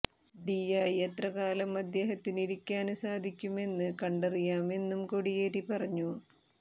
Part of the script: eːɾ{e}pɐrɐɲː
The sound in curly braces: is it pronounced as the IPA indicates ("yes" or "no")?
no